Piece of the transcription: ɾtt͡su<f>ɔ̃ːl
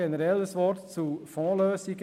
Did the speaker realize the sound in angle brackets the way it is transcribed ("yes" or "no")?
yes